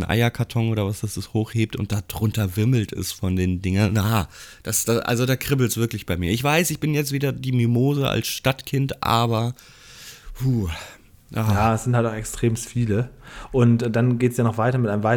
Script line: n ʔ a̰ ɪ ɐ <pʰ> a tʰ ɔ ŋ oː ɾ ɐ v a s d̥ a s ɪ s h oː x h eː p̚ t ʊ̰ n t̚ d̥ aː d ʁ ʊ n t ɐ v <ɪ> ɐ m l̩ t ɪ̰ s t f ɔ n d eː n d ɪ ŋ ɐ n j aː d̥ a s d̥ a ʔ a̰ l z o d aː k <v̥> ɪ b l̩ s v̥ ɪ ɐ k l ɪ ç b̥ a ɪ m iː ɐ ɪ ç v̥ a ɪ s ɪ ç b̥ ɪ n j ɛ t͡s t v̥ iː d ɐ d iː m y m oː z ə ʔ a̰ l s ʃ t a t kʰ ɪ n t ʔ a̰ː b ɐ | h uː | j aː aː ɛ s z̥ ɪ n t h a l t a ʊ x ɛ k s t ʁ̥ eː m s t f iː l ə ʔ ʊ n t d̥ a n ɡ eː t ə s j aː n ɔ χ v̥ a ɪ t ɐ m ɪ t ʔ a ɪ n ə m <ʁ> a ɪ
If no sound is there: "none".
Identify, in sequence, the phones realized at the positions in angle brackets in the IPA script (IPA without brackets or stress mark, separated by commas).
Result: kʰ, ɪ, ʁ̥, v